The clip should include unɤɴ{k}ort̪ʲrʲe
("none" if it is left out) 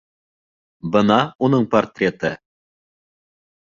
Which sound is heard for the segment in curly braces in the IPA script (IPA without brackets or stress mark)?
p